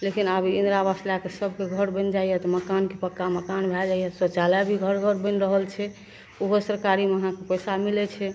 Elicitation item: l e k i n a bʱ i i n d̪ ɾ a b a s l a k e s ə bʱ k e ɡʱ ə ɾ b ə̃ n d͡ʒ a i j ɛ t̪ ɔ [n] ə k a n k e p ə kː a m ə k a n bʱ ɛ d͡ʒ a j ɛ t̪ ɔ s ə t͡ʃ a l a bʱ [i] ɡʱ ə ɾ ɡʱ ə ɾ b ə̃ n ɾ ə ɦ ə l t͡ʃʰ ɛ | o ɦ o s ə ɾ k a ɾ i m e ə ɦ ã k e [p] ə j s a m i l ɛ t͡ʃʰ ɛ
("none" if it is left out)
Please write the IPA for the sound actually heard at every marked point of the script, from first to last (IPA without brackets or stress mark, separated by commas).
m, i, p